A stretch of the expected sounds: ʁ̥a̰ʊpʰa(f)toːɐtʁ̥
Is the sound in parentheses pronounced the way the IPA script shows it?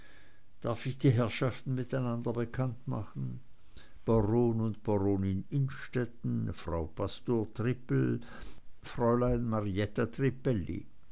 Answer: no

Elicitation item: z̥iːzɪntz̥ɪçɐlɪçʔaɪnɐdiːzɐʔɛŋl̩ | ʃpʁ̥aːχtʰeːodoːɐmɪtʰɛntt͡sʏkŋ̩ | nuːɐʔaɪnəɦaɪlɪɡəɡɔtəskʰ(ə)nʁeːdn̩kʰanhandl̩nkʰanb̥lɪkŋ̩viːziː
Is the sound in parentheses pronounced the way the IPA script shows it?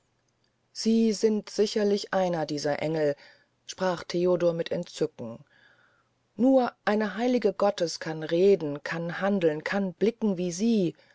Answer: no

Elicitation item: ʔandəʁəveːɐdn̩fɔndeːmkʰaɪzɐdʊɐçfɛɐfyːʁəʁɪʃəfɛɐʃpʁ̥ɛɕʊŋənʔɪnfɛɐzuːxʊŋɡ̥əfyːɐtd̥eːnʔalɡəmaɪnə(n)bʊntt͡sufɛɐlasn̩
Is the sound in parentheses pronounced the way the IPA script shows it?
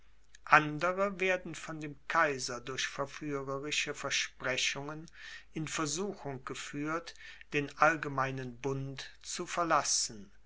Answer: yes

